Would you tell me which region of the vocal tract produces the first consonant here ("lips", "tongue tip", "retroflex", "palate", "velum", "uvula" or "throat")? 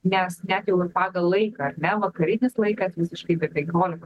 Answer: tongue tip